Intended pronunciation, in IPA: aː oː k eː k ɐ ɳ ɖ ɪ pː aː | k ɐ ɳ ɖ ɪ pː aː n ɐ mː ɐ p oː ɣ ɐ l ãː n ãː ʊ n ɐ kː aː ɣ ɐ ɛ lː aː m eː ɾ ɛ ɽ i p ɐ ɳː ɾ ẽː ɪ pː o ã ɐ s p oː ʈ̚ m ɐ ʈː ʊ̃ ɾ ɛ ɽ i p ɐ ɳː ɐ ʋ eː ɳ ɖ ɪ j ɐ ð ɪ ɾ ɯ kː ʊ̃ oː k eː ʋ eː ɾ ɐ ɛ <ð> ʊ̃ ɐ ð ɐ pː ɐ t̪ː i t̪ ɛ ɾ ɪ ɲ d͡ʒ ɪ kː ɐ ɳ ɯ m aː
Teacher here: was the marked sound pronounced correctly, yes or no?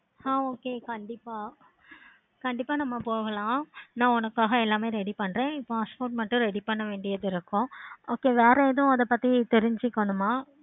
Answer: yes